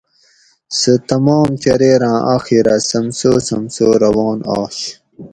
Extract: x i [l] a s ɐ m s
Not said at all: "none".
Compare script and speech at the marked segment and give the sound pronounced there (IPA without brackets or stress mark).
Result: ɾ